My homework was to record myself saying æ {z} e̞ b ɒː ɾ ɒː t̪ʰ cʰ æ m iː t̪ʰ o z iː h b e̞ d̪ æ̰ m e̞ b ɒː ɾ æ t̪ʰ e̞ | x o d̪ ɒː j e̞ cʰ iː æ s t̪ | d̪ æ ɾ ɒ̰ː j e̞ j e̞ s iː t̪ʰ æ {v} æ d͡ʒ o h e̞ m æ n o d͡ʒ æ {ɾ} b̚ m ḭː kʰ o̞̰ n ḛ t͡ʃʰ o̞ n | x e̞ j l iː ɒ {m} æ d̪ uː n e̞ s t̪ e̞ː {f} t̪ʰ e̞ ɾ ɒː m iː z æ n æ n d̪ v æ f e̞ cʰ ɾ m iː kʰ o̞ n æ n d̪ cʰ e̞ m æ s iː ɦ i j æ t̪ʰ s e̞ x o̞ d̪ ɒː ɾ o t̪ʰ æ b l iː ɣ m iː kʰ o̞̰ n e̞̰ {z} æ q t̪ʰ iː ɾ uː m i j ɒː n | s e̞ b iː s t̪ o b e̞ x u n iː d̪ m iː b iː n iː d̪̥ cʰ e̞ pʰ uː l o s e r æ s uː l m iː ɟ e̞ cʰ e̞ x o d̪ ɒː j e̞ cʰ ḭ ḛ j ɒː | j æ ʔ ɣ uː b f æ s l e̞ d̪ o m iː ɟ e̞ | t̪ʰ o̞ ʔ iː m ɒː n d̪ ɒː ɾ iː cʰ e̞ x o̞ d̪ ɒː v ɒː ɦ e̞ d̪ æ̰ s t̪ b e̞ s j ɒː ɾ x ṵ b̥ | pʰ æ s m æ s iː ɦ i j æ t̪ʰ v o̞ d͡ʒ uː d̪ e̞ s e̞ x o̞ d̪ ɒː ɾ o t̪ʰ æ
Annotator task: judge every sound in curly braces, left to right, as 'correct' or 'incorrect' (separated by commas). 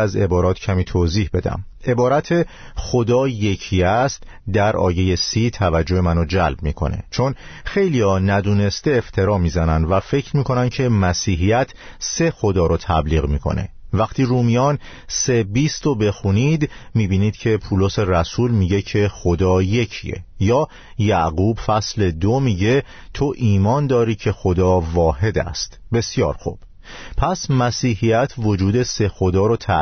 correct, correct, incorrect, incorrect, correct, incorrect